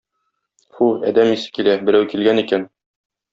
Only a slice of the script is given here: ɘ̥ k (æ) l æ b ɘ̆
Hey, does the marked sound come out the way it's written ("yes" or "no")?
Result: no